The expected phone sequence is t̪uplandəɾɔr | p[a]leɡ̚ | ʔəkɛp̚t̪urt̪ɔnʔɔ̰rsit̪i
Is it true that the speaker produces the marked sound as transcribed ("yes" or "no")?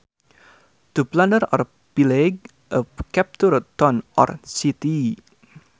no